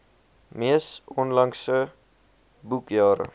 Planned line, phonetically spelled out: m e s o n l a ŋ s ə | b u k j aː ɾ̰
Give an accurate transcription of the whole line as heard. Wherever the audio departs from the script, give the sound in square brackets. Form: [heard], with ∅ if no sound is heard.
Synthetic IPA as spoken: m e s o n l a ŋ s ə | b u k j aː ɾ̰